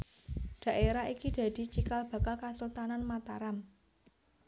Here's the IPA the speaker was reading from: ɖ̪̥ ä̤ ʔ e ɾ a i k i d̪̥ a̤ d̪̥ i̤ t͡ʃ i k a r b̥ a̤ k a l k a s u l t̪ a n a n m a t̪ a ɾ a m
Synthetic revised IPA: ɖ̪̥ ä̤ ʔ e ɾ a i k i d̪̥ a̤ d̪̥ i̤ t͡ʃ i k a l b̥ a̤ k a l k a s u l t̪ a n a n m a t̪ a ɾ a m